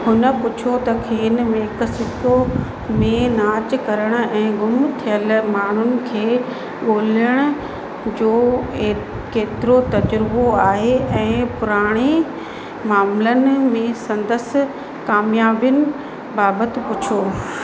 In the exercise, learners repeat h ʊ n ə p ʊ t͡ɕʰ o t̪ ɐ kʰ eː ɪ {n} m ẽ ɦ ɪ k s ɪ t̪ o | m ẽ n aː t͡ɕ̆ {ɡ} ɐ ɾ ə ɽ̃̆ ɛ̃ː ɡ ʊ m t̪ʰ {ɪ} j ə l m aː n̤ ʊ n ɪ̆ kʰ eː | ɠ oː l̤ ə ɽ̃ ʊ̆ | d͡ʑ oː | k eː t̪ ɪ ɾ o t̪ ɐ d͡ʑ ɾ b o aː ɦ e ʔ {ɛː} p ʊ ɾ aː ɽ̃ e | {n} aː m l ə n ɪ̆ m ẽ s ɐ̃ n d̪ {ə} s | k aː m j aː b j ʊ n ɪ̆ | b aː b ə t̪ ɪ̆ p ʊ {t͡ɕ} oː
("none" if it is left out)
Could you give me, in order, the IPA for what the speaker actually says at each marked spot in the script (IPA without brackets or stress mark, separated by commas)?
n, k, i, ɛ̃ː, m, ə, t͡ɕʰ